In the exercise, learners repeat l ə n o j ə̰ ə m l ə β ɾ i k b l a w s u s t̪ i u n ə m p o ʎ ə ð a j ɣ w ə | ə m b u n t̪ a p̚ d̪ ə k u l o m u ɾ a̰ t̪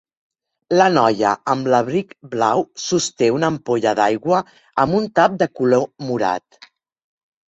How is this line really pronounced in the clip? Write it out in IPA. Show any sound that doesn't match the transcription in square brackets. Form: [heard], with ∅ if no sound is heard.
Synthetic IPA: l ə n [ɔ] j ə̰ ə m l ə β ɾ i k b l a w s u s t̪ [e] u n ə m p o ʎ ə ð a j ɣ w ə | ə m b u n t̪ a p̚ d̪ ə k u l o m u ɾ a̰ t̪